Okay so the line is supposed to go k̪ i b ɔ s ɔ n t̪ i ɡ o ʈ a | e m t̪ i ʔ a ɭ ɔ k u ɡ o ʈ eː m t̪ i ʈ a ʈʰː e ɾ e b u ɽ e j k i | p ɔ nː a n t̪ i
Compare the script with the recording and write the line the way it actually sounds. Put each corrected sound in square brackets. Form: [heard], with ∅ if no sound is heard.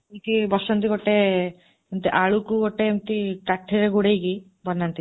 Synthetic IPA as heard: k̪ i b ɔ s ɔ n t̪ i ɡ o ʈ [e] | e m t̪ i ʔ a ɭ [u] k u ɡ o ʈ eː m t̪ i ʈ a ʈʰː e ɾ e [ɡ] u ɽ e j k i | [b] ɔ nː a n t̪ i